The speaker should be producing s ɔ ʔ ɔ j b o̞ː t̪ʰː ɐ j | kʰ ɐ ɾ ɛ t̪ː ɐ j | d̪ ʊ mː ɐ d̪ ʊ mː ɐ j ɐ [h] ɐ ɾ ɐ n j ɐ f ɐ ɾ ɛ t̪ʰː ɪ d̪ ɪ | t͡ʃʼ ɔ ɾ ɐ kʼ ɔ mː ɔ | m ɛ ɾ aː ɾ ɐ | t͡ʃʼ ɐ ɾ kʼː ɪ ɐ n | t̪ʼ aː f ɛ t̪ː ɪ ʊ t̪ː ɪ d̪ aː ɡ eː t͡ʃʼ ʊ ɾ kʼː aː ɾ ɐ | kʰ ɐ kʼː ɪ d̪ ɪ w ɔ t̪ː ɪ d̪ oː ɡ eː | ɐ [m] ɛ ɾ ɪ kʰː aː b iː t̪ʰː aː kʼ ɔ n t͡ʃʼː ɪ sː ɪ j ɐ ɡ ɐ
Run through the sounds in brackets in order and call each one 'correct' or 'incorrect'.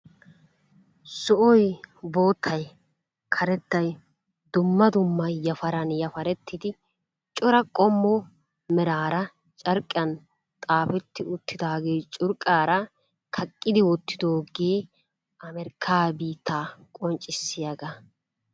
incorrect, correct

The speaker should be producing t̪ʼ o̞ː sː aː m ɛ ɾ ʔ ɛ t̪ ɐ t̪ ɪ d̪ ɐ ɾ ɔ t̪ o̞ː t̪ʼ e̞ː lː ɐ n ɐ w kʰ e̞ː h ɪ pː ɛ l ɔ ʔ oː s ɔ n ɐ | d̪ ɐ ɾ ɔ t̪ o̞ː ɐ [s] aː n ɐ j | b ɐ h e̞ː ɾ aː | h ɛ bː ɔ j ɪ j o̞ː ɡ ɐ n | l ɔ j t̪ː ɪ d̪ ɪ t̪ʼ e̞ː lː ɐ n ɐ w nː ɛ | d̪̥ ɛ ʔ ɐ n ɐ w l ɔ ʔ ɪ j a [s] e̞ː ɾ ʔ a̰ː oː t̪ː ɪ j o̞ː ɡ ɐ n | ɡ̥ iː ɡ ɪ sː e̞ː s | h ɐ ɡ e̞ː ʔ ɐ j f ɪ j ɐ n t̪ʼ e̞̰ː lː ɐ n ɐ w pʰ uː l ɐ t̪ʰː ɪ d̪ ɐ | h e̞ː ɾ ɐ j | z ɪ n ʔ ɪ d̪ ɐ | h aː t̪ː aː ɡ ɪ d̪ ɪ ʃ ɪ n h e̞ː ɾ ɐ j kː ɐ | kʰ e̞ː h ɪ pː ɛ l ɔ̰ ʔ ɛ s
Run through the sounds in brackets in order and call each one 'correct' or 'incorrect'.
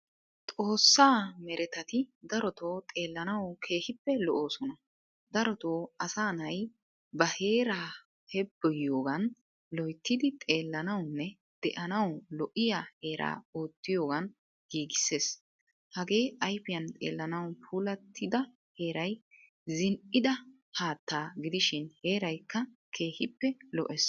correct, incorrect

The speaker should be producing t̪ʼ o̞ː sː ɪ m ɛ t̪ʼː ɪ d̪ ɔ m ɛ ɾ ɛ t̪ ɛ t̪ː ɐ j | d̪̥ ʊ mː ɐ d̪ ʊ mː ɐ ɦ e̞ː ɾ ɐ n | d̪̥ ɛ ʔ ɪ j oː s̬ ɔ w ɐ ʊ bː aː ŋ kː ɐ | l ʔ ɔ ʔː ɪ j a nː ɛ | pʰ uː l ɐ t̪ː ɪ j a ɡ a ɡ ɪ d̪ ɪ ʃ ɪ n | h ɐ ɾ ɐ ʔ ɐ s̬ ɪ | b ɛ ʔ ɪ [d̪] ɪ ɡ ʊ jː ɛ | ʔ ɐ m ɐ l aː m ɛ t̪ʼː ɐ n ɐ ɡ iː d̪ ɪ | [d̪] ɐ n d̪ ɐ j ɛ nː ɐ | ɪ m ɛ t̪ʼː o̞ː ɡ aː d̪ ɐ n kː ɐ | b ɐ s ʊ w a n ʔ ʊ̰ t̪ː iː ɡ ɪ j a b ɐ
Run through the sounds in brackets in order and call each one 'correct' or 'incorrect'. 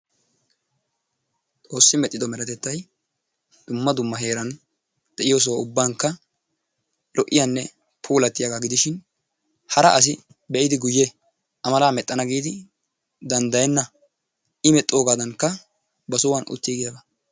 correct, correct

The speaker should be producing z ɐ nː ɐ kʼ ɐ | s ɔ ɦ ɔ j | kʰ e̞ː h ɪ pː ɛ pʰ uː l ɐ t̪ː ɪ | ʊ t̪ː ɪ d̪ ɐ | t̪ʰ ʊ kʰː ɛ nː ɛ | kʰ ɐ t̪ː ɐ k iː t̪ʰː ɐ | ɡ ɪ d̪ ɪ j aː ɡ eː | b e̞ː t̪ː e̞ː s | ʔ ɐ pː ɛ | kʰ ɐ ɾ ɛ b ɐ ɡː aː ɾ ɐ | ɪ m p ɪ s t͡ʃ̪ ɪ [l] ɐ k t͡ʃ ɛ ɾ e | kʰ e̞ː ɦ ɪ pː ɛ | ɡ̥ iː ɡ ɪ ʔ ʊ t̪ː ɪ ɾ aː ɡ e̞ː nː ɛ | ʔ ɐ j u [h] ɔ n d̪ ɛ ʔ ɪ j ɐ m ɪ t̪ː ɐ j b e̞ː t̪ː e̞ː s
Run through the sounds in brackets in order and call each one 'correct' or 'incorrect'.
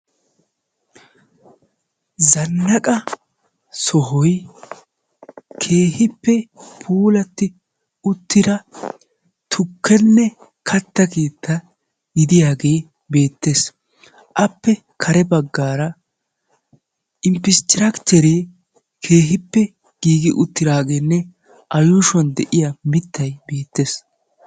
incorrect, incorrect

